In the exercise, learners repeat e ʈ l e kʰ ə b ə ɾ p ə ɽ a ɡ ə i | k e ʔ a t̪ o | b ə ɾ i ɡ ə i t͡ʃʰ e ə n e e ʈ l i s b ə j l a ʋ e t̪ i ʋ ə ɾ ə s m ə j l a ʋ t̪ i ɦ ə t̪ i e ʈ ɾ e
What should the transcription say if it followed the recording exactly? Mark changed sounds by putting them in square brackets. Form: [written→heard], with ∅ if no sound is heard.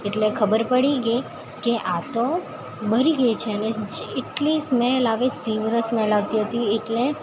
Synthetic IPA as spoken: e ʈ l e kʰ ə b ə ɾ p ə ɽ [a→i] ɡ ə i | k e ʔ a t̪ o | b ə ɾ i ɡ ə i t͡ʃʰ e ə n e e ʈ l i s [b→m] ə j l a ʋ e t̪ i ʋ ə ɾ ə s m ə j l a ʋ t̪ i ɦ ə t̪ i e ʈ [ɾ→l] e